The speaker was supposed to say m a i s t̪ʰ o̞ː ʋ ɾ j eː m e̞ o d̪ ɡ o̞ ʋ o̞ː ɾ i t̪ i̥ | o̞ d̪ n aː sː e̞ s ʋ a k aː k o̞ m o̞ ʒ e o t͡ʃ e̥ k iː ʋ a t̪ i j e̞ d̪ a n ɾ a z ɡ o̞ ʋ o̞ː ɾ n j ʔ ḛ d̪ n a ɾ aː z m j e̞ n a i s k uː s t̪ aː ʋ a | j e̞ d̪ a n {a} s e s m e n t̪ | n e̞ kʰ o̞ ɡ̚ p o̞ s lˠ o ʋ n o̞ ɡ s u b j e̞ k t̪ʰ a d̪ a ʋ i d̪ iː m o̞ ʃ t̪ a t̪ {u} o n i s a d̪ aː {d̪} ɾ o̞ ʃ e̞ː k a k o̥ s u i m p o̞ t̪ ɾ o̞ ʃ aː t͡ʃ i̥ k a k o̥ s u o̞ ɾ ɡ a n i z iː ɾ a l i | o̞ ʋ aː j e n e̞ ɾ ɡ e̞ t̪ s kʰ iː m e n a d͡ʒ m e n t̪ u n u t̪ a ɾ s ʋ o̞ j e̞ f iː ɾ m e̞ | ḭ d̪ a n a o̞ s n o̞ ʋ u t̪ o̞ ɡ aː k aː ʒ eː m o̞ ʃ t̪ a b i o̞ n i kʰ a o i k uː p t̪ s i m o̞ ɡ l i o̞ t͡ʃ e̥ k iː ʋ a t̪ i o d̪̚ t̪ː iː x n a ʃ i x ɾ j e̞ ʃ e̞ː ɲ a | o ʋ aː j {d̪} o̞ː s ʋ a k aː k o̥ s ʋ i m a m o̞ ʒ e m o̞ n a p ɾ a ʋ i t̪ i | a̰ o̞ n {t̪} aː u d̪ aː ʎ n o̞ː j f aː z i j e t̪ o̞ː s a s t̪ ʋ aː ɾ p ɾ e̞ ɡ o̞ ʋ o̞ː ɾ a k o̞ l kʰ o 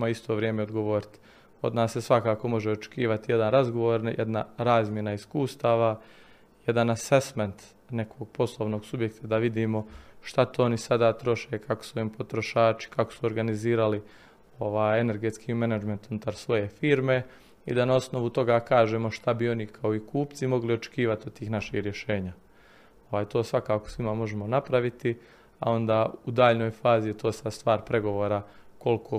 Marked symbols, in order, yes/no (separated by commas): yes, no, no, no, no